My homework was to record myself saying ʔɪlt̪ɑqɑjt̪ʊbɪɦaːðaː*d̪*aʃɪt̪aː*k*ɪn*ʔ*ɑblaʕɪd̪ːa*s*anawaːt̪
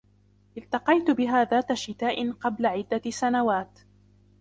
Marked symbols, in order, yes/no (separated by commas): no, no, no, yes